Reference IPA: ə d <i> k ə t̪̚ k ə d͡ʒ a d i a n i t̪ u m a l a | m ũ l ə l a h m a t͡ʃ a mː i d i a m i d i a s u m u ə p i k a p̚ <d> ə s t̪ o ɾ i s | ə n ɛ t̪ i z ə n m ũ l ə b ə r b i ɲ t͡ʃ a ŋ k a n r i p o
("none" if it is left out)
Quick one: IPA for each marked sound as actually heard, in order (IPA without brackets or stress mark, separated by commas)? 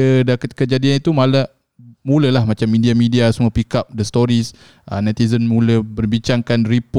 a, d